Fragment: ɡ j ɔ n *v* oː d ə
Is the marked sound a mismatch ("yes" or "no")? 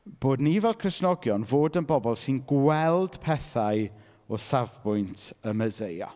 no